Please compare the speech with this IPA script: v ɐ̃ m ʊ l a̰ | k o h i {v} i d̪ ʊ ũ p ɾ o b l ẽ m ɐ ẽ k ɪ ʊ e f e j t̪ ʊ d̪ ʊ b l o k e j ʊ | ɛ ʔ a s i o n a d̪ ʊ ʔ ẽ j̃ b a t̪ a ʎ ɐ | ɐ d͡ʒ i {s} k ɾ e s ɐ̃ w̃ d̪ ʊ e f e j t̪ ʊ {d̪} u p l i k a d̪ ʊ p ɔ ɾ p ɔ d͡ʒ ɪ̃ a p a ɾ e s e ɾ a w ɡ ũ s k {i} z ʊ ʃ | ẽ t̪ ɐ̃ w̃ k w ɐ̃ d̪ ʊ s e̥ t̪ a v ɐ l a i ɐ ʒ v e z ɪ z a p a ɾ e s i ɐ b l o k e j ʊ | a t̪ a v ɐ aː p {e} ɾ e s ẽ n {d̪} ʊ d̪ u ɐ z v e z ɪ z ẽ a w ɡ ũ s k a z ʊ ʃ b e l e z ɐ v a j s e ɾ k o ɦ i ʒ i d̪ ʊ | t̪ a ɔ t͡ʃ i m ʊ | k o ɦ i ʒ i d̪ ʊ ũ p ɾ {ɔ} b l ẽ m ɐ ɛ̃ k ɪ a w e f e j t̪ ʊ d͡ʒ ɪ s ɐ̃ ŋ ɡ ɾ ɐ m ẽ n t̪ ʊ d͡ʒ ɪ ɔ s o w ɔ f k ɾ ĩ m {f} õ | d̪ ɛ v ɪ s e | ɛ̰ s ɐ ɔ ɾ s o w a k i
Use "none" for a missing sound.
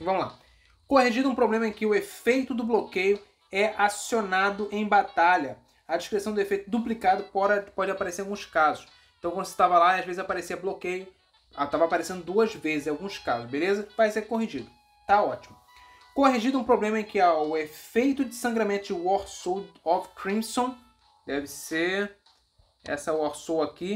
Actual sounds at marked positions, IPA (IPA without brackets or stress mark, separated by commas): ʒ, ʃ, d̪, a, a, d̪, o, s